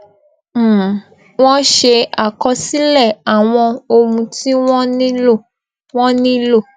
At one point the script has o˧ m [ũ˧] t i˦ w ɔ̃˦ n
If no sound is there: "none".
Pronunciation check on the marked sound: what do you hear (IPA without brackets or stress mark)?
ũ˧